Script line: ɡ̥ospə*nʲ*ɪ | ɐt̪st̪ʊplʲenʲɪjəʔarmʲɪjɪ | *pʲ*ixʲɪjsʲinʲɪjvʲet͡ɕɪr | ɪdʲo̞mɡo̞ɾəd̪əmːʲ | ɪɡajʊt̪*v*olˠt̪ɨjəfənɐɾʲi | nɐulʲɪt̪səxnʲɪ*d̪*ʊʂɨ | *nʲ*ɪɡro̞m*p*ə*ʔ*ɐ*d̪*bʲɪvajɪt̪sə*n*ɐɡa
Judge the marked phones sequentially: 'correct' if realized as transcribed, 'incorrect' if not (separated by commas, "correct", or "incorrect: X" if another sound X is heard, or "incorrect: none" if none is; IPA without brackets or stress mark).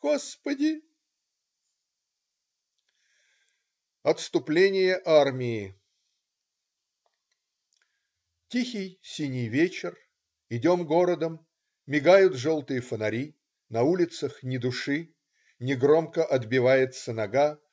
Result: incorrect: dʲ, incorrect: tʲ, incorrect: ʐ, correct, correct, incorrect: k, correct, correct, correct